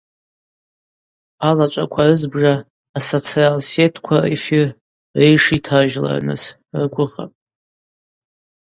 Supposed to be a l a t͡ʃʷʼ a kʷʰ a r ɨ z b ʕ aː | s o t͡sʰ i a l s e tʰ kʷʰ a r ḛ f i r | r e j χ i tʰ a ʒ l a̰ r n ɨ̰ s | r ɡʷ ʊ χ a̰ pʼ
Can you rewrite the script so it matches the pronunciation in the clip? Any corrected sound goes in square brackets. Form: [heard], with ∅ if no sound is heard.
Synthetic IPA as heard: a l a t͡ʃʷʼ a kʷʰ a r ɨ z b [ʐ] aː | s o t͡sʰ i a l s e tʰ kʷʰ a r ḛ f i r | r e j [ʂ] i tʰ a ʒ l a̰ r n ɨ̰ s | r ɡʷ ʊ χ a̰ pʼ